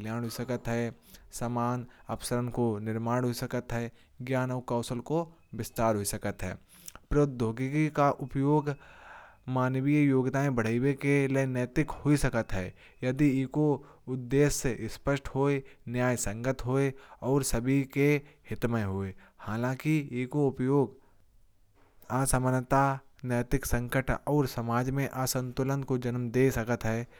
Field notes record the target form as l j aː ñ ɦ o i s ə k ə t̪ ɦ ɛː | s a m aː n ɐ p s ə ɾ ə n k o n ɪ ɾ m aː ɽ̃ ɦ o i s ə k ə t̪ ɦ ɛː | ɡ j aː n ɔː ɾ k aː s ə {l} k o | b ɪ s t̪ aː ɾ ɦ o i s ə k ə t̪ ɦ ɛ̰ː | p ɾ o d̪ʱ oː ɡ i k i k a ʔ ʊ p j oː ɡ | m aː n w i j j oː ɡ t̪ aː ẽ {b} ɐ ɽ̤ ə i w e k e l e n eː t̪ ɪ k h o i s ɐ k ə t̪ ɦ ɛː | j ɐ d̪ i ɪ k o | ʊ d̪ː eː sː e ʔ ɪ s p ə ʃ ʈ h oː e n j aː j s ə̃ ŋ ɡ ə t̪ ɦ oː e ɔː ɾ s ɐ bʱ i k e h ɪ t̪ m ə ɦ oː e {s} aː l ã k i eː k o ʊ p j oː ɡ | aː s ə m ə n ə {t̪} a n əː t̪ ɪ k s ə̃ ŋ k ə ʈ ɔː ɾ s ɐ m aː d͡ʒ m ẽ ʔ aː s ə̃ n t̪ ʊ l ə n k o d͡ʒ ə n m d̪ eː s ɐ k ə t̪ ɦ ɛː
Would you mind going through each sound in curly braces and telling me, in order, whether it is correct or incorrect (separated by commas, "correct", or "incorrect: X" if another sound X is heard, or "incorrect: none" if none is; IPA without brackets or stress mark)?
correct, correct, incorrect: h, correct